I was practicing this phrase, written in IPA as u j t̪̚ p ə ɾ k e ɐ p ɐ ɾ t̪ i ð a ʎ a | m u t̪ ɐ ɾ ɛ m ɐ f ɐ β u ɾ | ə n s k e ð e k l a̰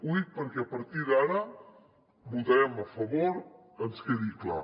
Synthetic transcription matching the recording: u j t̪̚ p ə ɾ k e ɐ p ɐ ɾ t̪ i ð a ɾ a | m u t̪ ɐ ɾ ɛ m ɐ f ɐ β o ɾ | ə n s k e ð i k l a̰

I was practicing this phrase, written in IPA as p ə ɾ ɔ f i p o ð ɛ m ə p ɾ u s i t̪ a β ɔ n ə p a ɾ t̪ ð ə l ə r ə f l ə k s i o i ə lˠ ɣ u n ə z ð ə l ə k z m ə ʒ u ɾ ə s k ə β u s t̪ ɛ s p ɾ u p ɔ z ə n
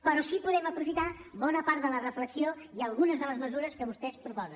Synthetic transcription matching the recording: p ə ɾ ɔ s i p u ð ɛ m ə p ɾ u f i t̪ a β ɔ n ə p a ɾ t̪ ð ə l ə r ə f l ə k s i o i ə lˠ ɣ u n ə z ð ə l ə z m ə z u ɾ ə s k ə β u s t̪ ɛ s p ɾ u p ɔ z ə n

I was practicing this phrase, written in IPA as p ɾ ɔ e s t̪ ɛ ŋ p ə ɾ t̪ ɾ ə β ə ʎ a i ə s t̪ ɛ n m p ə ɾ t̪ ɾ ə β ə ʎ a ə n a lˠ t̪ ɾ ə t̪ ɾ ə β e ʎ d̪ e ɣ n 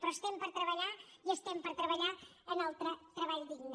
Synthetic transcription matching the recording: p ɾ ɔ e s t̪ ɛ m p ə ɾ t̪ ɾ ə β ə ʎ a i ə s t̪ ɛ m p ə ɾ t̪ ɾ ə β ə ʎ a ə n a lˠ t̪ ɾ ə t̪ ɾ ə β a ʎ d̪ i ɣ n

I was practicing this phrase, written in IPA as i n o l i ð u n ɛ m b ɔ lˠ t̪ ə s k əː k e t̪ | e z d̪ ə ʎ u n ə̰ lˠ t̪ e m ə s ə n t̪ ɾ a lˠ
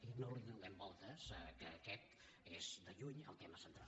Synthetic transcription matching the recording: i n o l i ð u n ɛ m b ɔ lˠ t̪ ə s k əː k ɛ t̪ | e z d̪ ə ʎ u ɲ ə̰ lˠ t̪ e m ə s ə n t̪ ɾ a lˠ

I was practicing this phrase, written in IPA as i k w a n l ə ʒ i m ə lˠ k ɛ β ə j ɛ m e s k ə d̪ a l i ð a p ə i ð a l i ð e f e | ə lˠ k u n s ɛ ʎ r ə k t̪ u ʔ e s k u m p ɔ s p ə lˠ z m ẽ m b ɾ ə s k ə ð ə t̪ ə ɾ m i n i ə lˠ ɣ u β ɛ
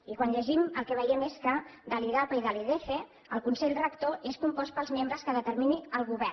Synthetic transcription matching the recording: i k w a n ʎ ə ʒ i m ə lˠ k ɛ β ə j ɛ m e s k ə d̪ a l i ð a p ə i ð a l i ð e f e | ə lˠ k u n s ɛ ʎ r ə k t̪ o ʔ e s k u m p ɔ s p ə lˠ z m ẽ m b ɾ ə s k ə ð ə t̪ ə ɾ m i n i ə lˠ ɣ u β ɛ

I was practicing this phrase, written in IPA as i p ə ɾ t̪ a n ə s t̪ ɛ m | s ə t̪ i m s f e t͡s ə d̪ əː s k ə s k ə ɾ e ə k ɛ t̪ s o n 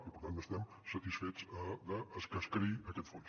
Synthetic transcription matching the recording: i p ə ɾ t̪ a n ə s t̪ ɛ m | s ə t̪ i s f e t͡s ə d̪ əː s k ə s k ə ɾ i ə k ɛ t̪ f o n

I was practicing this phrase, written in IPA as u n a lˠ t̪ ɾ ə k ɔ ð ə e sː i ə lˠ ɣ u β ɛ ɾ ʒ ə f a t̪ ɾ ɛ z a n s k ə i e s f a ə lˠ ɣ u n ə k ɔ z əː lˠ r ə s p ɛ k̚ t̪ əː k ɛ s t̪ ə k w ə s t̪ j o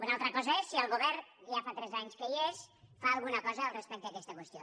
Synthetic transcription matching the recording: u n a lˠ t̪ ɾ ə k ɔ z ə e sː i ə lˠ ɣ u β ɛ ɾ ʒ a f a t̪ ɾ ɛ z a ɲ s k ə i e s f a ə lˠ ɣ u n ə k ɔ z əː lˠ r ə s p ɛ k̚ t̪ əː k ɛ s t̪ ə k w ə s t̪ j o

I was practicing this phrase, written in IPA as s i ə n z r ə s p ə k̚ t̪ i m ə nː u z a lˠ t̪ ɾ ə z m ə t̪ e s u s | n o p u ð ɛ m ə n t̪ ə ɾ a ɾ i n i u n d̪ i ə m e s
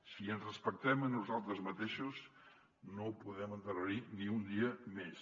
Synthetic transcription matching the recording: s i ə n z r ə s p ə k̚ t̪ ɛ m ə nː u z a lˠ t̪ ɾ ə z m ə t̪ e ʃ u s | n o p u ð ɛ m ə n t̪ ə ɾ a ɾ i n i u n d̪ i ə m e s

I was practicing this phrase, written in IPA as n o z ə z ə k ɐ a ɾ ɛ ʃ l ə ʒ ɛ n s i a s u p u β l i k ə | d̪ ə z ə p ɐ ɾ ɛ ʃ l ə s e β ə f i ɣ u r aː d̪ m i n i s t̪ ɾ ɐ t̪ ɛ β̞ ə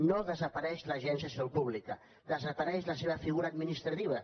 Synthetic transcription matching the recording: n o ð ə z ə p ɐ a ɾ ɛ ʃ l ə ʒ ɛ n s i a s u p u β l i k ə | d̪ ə z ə p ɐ ɾ ɛ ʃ l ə s e β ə f i ɣ u ɾ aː d̪ m i n i s t̪ ɾ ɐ t̪ i β̞ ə

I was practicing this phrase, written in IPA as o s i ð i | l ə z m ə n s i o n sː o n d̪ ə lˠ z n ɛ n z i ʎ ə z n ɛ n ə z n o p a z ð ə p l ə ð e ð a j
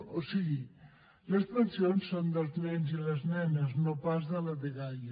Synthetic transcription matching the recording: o s i ɣ i | l ə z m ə n s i o n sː o n d̪ ə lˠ z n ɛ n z i l ə z n ɛ n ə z n o p a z ð ə l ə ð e ɣ a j

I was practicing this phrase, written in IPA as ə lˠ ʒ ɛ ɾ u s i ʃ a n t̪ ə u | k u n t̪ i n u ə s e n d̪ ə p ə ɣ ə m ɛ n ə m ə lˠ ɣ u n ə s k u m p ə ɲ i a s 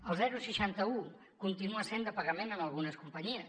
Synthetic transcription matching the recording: ə lˠ z ɛ ɾ u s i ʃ a n t̪ ə u | k u n t̪ i n u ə s e n d̪ ə p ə ɣ ə m e n ə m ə lˠ ɣ u n ə s k u m p ə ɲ i ə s

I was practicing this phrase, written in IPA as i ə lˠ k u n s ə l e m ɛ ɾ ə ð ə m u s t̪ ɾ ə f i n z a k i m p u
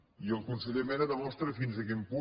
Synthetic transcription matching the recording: i ə lˠ k u n s ə ʎ e m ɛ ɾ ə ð ə m ɔ s t̪ ɾ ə f i n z ə k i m p u

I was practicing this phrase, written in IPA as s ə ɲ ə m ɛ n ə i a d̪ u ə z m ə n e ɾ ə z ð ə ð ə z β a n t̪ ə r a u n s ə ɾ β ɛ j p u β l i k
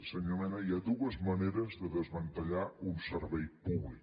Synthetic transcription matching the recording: s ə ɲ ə m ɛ n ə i a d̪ u ə z m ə n e ɾ ə z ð ə ð ə z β ə n t̪ ə ʎ a u n s ə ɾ β ɛ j p u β l i k

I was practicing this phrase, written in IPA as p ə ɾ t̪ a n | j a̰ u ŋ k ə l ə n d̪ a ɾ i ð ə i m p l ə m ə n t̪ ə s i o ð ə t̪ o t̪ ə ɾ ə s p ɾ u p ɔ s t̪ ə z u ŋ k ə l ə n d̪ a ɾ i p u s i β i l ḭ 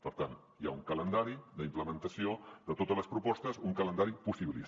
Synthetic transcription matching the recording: p ə ɾ t̪ a n | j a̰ u ŋ k ə l ə n d̪ a ɾ i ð ə i m p l ə m ə n t̪ ə s i o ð ə t̪ o t̪ ə l ə s p ɾ u p ɔ s t̪ ə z u ŋ k ə l ə n d̪ a ɾ i p u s i β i l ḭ

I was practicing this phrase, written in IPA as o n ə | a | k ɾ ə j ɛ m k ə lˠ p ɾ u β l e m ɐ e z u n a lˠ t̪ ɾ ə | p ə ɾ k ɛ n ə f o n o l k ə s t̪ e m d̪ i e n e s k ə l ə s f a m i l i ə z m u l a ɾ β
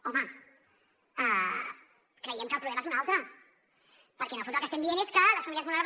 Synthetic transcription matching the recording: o m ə | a | k ɾ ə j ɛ m k ə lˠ p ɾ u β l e m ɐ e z u n a lˠ t̪ ɾ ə | p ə ɾ k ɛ n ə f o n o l k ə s t̪ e m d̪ i e n e s k ə l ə s f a m i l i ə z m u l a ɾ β

